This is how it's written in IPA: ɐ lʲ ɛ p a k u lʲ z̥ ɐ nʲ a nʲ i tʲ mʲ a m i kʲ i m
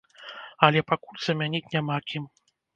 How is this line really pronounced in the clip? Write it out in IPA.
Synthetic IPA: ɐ lʲ ɛ p a k u lʲ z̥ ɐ mʲ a nʲ i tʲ nʲ a m a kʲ i m